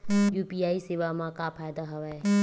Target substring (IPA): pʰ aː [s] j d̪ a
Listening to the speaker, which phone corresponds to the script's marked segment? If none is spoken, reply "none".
none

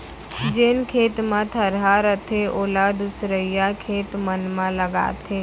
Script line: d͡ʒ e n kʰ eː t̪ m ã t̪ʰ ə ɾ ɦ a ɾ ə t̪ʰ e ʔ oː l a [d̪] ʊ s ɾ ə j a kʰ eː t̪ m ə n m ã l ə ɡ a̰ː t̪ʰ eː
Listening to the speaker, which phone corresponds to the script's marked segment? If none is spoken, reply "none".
d̪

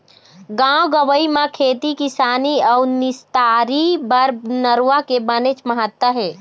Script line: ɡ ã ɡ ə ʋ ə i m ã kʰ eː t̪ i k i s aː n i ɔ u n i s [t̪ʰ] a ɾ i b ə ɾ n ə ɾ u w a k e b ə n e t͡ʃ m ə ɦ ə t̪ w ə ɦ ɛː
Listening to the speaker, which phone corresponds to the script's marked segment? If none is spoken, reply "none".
t̪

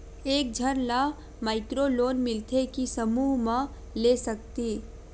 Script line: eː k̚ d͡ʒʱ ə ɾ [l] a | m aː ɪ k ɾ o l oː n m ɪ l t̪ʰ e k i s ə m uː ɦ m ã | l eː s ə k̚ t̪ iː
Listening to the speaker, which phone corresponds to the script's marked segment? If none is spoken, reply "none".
l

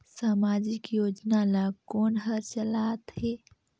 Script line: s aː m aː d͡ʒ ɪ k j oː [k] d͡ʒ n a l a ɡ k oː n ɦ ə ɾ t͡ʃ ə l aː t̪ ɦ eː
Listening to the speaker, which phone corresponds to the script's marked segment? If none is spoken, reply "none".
none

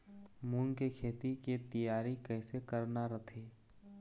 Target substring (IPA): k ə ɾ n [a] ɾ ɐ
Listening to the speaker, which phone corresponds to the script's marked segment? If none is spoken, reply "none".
a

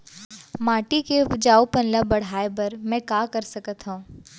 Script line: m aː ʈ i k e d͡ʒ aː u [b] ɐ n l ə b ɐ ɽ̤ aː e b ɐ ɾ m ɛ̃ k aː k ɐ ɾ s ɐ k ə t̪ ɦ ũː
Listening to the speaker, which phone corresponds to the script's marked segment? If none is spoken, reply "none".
p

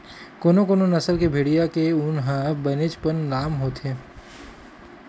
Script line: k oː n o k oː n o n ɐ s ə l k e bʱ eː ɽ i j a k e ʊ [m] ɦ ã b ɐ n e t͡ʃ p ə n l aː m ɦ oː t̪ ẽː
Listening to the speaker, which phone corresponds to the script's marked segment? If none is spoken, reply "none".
n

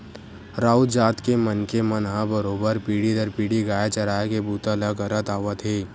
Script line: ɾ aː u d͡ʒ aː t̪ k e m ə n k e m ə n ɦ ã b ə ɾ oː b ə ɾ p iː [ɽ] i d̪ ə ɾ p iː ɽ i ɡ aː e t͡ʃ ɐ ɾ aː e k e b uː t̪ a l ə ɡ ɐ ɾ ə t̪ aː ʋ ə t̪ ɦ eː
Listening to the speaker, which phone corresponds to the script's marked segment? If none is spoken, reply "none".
ɽ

